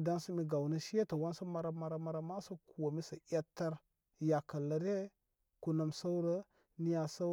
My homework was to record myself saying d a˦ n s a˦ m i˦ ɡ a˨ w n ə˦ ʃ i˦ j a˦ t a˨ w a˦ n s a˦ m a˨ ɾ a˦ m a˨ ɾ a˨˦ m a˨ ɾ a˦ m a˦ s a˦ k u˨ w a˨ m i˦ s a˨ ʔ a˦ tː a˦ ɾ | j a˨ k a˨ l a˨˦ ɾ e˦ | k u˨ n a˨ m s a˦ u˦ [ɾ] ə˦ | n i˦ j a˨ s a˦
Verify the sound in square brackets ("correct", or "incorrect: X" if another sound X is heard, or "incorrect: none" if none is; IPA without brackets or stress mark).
correct